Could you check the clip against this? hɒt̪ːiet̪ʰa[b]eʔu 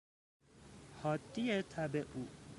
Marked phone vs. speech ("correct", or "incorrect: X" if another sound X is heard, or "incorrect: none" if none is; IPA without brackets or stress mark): correct